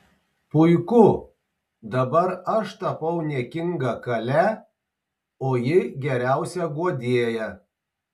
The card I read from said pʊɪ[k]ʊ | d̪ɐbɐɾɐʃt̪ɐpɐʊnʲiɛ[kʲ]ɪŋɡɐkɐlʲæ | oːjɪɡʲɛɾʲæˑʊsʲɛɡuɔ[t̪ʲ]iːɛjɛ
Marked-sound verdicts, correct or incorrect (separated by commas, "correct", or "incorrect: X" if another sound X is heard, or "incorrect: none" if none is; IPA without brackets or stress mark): correct, correct, incorrect: d̪ʲ